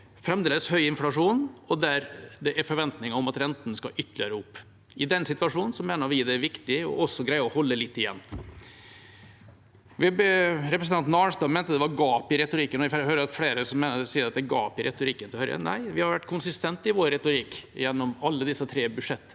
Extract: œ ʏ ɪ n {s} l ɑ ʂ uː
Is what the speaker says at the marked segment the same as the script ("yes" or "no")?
no